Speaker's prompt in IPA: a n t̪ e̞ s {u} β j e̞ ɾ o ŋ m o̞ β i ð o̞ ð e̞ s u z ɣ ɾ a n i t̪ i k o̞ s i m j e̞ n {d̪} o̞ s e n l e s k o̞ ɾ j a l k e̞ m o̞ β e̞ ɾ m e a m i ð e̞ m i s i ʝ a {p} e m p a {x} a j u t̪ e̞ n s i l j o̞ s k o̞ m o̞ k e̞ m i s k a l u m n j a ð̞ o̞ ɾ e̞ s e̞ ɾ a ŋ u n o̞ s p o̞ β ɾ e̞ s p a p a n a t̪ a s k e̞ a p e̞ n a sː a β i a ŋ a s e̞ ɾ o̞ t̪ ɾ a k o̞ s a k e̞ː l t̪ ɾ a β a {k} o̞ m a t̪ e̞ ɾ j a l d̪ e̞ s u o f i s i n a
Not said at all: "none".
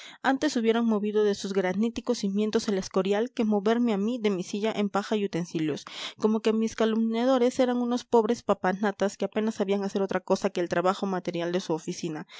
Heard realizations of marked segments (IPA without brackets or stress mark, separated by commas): u, t̪, ʔ, x, x